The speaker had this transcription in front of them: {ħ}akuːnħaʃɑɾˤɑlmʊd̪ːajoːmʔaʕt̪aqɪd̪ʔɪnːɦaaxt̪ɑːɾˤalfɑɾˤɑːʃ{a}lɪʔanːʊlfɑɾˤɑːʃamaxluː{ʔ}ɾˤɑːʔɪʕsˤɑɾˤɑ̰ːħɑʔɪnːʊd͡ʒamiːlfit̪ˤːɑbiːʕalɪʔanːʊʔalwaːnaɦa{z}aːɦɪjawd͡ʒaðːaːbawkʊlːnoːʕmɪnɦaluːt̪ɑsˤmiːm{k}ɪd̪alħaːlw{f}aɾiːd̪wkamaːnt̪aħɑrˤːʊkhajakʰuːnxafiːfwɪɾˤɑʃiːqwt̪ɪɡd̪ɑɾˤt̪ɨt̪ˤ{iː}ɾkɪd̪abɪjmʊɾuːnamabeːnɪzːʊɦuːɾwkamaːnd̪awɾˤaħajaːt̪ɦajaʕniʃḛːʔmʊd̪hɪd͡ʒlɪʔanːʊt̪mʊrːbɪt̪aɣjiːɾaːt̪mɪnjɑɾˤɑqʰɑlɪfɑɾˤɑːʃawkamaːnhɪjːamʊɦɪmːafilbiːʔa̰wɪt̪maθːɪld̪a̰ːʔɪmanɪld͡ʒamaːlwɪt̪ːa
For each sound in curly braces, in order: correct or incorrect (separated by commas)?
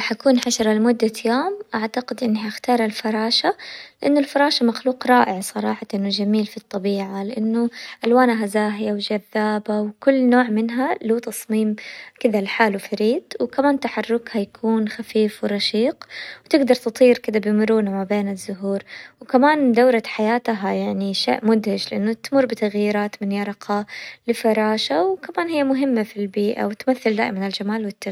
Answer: correct, correct, incorrect, correct, correct, correct, correct